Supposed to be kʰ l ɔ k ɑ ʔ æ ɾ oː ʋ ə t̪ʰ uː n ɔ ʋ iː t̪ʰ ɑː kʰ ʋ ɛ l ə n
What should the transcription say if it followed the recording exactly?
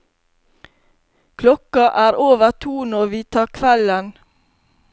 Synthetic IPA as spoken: kʰ l ɔ k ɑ ʔ æː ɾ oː ʋ ə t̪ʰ uː n ɔ ʋ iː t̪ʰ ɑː kʰ ʋ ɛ l ə n

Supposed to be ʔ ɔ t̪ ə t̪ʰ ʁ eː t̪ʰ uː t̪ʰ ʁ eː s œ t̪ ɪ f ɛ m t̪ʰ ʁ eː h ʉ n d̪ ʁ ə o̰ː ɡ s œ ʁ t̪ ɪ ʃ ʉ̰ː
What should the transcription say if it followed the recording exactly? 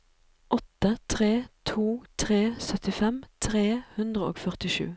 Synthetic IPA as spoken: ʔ ɔ t̪ ə t̪ʰ ʁ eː t̪ʰ uː t̪ʰ ʁ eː s œ t̪ ɪ f ɛ m t̪ʰ ʁ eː h ʉ n d̪ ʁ ə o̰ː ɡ f œ ʁ t̪ ɪ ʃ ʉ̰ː

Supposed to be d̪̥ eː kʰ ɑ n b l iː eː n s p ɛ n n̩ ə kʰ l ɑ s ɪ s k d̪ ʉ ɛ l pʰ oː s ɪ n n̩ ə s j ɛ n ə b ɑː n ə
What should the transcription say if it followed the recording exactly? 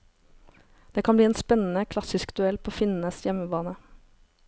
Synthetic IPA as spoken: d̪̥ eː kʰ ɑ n b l iː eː n s p ɛ n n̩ ə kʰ l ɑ s ɪ s k d̪ ʉ ɛ l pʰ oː f ɪ n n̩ ə s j ɛ m ə b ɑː n ə

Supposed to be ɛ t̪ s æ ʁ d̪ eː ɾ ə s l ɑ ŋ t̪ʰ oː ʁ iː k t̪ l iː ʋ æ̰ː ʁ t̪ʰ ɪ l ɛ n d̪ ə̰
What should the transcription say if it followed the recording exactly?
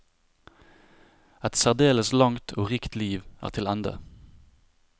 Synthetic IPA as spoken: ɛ t̪ s æ ʁ d̪ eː l ə s l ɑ ŋ t̪ʰ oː ʁ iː k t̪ l iː ʋ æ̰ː ʁ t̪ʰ ɪ l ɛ n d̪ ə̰

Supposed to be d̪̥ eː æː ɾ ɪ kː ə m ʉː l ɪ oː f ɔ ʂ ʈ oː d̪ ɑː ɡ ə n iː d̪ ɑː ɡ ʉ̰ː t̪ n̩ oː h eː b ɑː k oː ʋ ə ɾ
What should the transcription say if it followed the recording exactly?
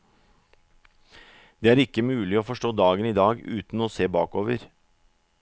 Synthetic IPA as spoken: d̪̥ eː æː ɾ ɪ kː ə m ʉː l ɪ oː f ɔ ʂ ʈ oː d̪ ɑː ɡ ə n iː d̪ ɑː ɡ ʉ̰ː t̪ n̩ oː s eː b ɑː k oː ʋ ə ɾ

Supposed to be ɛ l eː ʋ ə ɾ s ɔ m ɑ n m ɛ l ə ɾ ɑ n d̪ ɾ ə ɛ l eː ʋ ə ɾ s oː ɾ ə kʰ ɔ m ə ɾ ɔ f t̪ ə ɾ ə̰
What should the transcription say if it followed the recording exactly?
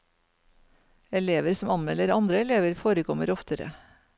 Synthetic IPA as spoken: ɛ l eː ʋ ə ɾ s ɔ m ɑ n m ɛ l ə ɾ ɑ n d̪ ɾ ə ɛ l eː ʋ ə ɾ f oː ɾ ə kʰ ɔ m ə ɾ ɔ f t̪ ə ɾ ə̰

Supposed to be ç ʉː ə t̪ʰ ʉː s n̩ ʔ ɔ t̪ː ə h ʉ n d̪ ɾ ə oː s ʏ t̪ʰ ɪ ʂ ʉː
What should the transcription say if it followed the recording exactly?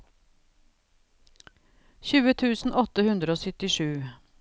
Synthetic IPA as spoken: ç ʉː ə t̪ʰ ʉː s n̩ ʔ ɔ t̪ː ə h ʉ n d̪ ɾ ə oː s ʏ t̪ ɪ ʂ ʉː

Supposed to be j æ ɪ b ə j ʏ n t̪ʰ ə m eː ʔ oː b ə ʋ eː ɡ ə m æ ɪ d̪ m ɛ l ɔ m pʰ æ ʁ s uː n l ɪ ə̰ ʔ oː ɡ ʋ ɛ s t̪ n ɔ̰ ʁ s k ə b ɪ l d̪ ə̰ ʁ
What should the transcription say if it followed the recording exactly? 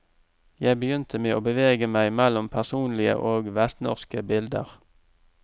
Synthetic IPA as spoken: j æ ɪ b ə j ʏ n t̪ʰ ə m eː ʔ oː b ə ʋ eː ɡ ə m æ ɪ m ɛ l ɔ m pʰ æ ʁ s uː n l ɪ ə̰ ʔ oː ɡ ʋ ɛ s t̪ n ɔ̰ ʁ s k ə b ɪ l d̪ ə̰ ʁ

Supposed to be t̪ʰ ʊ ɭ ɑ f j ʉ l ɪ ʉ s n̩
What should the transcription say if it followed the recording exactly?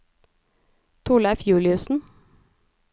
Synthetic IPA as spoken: t̪ʰ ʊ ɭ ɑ f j ʉː l ɪ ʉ s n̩

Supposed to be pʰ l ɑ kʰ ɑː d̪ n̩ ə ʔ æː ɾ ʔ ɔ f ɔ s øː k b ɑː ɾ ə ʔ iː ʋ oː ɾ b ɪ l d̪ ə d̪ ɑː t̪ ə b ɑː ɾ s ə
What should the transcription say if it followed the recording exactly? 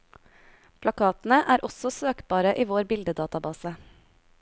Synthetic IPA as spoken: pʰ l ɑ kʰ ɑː t̪ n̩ ə ʔ æː ɾ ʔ ɔ s ɔ s øː k b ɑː ɾ ə ʔ iː ʋ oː ɾ b ɪ l d̪ ə d̪ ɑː t̪ ɑ b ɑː s ə

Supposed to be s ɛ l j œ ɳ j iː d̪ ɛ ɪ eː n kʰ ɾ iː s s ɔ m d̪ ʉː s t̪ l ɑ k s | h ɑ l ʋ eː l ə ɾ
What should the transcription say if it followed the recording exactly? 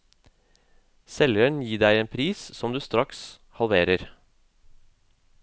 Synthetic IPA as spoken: s ɛ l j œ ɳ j iː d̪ æ ɪ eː n pʰ ɾ iː s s ɔ m d̪ ʉː s t̪ ɾ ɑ k s | h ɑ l ʋ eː ɾ ə ɾ

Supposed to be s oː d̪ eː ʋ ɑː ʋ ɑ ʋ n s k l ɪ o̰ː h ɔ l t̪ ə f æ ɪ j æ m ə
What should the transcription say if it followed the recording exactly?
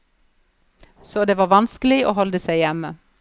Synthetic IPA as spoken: s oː d̪ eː ʋ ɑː ʋ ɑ n s k l ɪ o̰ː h ɔ l d̪ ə s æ ɪ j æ m ə

